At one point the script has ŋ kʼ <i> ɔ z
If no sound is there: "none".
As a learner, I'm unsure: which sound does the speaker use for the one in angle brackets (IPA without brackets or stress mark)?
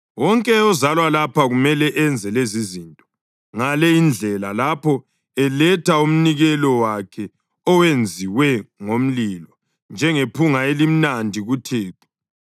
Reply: ɛ